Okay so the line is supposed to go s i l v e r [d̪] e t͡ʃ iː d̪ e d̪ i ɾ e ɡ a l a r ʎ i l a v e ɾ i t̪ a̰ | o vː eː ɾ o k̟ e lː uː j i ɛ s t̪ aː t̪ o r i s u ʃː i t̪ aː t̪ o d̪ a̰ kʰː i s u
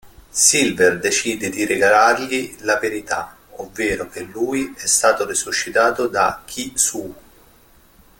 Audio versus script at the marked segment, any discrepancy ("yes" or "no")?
no